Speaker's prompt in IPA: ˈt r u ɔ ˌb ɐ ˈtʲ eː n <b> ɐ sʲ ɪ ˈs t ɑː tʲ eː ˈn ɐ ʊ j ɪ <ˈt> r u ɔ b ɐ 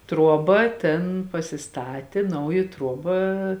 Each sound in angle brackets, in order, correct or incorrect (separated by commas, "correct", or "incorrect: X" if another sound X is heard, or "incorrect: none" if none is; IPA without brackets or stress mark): incorrect: p, correct